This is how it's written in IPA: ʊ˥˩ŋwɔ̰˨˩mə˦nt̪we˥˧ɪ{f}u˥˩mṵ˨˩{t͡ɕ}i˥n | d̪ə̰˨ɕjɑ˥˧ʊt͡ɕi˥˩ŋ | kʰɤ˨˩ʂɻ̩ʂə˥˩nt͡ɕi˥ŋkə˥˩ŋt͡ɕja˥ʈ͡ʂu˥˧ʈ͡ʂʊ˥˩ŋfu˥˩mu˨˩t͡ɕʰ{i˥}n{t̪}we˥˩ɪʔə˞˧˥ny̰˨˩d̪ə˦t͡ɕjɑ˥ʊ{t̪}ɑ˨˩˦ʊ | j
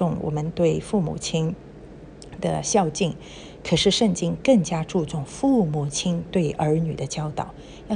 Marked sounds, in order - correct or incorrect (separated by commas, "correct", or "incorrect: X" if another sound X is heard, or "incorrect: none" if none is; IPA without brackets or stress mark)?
correct, incorrect: t͡ɕʰ, correct, correct, correct